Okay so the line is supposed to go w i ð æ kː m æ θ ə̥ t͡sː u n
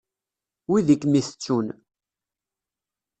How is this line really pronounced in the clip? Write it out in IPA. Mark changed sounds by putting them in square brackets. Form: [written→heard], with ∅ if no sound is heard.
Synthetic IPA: w i ð [æ→i] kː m [æ→i] θ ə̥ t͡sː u n